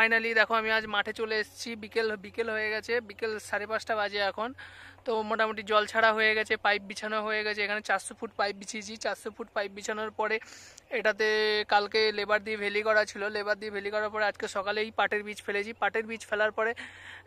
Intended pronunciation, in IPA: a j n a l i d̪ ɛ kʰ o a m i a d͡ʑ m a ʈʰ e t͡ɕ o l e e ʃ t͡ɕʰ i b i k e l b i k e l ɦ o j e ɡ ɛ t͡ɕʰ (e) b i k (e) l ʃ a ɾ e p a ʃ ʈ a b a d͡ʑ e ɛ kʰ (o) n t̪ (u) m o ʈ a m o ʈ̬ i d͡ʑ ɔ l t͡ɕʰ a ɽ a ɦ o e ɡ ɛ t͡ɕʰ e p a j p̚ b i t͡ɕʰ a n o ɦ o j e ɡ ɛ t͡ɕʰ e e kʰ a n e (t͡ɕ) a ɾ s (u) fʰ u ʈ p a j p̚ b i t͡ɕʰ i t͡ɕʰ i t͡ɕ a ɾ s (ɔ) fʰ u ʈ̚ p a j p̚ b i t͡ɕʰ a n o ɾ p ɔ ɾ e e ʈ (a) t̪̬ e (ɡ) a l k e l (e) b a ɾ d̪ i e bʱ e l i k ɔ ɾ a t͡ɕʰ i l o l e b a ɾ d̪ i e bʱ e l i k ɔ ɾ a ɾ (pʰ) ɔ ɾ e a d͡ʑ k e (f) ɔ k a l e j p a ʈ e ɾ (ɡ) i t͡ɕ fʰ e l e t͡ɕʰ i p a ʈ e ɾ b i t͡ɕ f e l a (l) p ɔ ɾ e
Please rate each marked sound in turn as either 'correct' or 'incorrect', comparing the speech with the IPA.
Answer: correct, correct, correct, incorrect, correct, incorrect, incorrect, correct, incorrect, correct, incorrect, incorrect, incorrect, incorrect

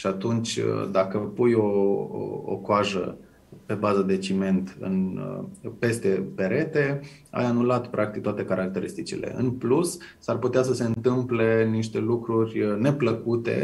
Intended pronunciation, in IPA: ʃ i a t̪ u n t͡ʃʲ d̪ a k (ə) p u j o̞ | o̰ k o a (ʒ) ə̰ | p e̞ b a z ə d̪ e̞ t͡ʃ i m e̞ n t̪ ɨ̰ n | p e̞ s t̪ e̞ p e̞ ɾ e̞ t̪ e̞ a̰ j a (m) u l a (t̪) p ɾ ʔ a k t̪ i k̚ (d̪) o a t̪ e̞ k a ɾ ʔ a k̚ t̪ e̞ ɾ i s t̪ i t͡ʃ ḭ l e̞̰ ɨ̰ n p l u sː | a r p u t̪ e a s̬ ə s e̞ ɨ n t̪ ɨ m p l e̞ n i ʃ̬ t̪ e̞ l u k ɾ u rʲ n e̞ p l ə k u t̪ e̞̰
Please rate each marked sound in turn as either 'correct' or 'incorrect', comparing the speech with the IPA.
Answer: correct, correct, incorrect, correct, incorrect

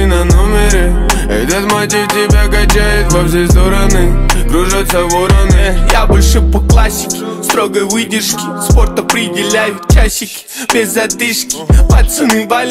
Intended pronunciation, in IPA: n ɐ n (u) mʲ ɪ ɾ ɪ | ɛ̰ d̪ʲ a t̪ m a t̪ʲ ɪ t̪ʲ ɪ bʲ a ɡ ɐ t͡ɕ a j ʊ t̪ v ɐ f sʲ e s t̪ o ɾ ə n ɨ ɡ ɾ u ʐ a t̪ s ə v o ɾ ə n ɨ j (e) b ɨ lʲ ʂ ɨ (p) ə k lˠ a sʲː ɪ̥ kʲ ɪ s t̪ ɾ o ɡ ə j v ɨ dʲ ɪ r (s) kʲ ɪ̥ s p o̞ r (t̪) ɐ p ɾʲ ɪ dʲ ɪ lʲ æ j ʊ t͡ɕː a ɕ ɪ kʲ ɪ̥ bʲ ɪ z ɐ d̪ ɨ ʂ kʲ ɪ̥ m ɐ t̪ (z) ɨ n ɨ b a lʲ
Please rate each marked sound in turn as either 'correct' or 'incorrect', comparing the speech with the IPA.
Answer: incorrect, incorrect, correct, incorrect, correct, incorrect

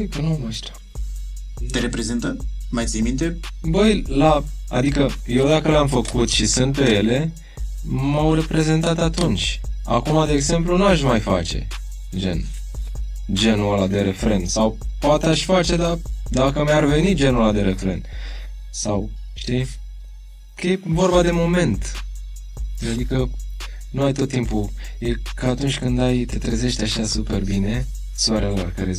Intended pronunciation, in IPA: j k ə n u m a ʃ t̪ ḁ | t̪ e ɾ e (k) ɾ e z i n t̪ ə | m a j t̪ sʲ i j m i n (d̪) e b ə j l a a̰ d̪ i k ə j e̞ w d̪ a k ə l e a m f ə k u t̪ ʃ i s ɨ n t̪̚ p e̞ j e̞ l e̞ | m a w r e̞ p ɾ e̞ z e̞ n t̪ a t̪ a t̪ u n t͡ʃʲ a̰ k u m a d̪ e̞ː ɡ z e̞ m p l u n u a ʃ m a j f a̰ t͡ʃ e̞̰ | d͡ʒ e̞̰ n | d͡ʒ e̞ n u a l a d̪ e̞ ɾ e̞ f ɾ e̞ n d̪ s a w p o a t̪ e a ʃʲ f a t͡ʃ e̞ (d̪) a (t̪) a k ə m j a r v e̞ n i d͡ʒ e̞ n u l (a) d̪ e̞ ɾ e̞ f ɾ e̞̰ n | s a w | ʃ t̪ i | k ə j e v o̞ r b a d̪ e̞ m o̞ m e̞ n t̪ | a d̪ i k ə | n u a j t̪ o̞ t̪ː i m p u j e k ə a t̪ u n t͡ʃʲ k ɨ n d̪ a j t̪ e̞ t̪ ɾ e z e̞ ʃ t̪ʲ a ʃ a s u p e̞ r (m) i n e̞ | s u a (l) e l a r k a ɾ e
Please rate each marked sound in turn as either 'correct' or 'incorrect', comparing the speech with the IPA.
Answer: incorrect, incorrect, correct, incorrect, correct, incorrect, incorrect

